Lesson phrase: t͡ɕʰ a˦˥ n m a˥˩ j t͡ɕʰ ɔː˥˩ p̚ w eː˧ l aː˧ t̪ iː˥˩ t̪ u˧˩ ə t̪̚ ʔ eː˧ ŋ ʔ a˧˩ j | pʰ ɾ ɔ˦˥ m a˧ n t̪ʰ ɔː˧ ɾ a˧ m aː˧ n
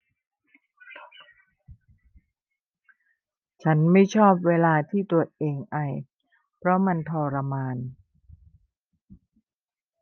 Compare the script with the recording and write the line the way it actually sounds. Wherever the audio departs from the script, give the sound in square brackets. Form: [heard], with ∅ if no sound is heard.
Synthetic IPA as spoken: t͡ɕʰ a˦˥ n m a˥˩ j t͡ɕʰ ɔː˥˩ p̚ w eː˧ l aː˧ [t̪ʰ] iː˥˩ t̪ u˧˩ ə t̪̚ ʔ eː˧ ŋ ʔ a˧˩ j | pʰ ɾ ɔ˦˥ m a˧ n t̪ʰ ɔː˧ ɾ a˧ m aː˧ n